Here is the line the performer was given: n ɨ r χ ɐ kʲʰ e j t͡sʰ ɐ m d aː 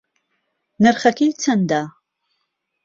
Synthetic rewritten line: n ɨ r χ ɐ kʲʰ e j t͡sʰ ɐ n d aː